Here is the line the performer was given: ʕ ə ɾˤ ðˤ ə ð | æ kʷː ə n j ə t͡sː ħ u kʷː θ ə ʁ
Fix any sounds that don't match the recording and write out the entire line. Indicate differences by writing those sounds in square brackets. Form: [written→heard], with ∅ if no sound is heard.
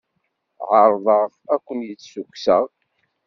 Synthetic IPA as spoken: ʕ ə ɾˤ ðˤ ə [ð→ʁ] | æ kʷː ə n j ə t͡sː [ħ→s] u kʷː [θ→s] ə ʁ